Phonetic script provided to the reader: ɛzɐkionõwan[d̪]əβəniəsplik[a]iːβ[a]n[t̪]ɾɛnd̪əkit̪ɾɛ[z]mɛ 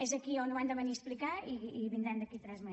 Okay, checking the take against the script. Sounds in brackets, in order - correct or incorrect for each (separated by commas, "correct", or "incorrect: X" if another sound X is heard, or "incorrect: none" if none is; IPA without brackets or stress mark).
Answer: correct, correct, incorrect: i, incorrect: d̪, correct